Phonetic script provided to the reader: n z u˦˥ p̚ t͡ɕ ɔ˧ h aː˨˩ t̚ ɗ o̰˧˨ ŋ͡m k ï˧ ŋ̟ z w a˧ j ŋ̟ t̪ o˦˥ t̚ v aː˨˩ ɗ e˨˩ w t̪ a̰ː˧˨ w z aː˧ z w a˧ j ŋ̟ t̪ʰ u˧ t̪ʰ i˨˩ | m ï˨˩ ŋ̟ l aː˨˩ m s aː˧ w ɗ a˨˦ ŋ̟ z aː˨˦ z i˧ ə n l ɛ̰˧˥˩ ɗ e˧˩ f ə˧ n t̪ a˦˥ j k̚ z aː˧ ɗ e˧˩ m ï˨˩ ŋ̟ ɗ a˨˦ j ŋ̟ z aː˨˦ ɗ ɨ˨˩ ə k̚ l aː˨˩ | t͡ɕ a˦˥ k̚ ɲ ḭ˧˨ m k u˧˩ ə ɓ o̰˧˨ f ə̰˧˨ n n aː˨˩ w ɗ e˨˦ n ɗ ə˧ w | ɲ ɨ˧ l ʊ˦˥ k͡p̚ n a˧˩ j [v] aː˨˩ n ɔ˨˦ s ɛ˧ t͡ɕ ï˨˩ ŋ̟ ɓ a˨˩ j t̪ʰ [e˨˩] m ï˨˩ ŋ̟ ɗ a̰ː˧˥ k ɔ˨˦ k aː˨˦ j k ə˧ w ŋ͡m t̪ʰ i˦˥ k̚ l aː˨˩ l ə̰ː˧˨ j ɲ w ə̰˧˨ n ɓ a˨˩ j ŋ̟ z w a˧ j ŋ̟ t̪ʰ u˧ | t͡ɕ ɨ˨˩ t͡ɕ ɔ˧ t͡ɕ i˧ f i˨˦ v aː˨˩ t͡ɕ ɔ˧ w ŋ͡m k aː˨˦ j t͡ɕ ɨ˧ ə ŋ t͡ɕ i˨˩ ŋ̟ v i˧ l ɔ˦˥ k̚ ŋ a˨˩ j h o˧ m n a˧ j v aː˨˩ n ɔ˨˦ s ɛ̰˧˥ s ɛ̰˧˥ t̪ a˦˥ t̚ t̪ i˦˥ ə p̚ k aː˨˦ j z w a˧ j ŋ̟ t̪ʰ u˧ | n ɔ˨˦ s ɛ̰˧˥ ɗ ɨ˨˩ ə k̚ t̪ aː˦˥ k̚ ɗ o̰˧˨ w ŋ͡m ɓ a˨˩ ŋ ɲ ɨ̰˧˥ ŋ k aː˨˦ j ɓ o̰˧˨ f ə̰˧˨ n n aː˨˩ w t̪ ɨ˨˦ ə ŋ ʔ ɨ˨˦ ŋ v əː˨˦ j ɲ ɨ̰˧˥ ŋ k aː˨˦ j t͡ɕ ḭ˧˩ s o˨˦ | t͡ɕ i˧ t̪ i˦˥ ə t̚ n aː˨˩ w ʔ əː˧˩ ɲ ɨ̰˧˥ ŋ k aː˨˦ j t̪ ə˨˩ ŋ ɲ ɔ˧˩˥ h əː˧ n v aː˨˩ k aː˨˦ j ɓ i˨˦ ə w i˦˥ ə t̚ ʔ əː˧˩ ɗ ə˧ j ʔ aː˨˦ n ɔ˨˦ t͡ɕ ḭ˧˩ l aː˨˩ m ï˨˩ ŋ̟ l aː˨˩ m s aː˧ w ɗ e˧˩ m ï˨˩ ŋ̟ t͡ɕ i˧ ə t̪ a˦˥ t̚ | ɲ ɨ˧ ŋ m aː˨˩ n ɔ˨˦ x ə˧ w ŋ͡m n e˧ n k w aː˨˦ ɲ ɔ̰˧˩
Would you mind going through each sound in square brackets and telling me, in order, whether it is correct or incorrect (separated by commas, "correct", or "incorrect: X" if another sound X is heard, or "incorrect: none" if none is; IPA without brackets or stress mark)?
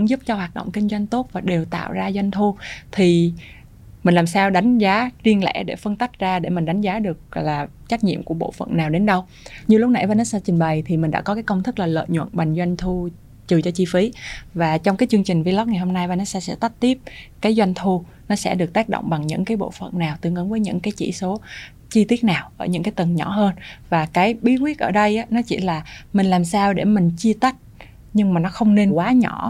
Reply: correct, incorrect: i˨˩